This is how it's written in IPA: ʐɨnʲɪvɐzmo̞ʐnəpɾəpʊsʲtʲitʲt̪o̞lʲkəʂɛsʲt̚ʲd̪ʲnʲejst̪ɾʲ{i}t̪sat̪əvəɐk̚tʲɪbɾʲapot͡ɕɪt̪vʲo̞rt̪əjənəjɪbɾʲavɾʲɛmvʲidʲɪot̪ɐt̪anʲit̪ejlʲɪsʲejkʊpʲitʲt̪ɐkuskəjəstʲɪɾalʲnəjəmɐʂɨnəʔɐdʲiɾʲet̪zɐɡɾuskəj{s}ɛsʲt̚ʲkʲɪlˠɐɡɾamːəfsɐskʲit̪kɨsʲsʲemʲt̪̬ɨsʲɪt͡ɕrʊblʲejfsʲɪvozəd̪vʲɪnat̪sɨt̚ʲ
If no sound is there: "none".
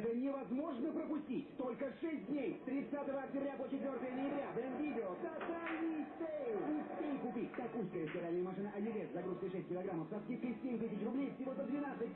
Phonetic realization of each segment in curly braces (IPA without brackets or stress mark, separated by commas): ɪ, ʂ